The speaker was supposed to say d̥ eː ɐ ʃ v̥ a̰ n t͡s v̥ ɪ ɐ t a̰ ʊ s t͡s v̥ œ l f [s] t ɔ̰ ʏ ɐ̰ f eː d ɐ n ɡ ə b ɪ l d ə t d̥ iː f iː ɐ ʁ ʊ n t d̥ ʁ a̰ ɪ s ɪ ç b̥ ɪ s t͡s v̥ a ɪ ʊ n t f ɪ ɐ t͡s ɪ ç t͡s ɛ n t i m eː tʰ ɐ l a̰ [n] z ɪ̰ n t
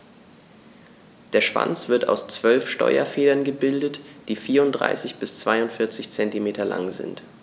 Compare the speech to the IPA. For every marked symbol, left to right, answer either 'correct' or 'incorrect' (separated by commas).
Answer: incorrect, incorrect